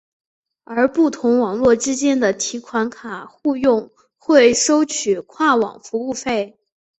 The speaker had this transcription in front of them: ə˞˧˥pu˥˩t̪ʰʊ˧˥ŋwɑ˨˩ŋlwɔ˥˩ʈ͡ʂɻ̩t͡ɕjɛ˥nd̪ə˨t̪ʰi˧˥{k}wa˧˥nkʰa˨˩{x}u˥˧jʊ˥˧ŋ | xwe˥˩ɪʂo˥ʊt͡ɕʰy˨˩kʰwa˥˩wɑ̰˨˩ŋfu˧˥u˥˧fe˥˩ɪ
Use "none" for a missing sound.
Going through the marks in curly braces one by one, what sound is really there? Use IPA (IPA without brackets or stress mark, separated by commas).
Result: kʰ, x